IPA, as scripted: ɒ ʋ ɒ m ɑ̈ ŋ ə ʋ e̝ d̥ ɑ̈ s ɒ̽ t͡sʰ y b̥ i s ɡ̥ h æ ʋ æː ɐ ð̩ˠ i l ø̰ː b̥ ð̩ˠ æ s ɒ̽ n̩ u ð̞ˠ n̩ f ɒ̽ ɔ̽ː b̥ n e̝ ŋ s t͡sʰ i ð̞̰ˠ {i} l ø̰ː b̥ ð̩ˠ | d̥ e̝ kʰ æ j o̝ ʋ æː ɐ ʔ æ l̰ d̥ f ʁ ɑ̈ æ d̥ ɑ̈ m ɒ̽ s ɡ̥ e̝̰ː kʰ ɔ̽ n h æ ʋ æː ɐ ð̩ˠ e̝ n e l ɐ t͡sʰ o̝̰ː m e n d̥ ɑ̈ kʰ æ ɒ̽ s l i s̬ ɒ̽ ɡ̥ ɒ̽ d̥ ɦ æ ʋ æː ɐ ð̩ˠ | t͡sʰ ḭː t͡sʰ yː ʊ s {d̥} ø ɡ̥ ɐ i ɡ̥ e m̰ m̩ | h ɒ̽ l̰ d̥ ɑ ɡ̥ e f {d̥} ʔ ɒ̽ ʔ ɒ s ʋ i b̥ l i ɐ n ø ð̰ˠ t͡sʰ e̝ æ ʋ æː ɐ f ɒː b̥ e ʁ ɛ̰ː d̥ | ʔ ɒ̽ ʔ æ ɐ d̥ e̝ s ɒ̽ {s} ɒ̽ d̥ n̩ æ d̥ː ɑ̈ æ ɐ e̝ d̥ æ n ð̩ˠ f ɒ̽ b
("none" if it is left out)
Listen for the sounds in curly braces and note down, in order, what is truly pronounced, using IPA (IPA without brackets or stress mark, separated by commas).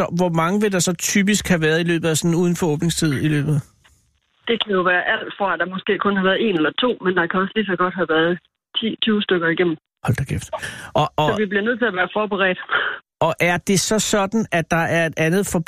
i, d̥, d̥, s